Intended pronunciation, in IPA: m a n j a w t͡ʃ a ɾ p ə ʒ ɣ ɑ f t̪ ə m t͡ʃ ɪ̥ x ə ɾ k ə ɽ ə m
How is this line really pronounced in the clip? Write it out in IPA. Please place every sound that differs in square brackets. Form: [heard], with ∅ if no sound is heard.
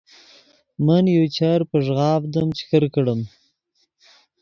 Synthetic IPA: m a n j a w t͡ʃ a ɾ p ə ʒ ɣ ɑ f [d̪] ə m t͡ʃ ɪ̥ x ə ɾ k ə ɽ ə m